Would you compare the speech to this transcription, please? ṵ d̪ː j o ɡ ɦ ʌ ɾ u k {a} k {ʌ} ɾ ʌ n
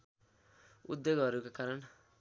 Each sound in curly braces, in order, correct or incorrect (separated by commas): correct, incorrect